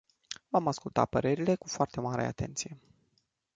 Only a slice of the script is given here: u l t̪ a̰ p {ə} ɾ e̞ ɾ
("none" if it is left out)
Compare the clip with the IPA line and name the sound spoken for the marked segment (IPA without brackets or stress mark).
ə